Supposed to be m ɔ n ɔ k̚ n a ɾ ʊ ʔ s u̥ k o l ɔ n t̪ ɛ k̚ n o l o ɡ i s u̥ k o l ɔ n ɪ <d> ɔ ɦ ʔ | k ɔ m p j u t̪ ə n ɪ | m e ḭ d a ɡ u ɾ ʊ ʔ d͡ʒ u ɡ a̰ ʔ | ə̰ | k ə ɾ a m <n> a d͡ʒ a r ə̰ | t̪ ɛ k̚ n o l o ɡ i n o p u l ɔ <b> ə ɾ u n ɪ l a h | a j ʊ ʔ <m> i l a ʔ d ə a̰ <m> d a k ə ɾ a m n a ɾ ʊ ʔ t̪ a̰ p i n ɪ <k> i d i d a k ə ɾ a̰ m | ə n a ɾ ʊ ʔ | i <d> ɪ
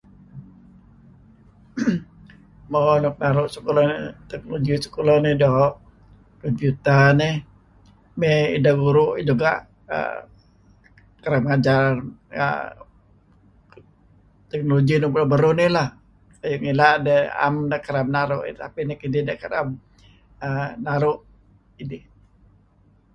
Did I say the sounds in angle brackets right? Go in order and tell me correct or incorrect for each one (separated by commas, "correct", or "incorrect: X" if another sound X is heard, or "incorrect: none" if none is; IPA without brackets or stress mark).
correct, incorrect: ŋ, correct, incorrect: ŋ, correct, correct, correct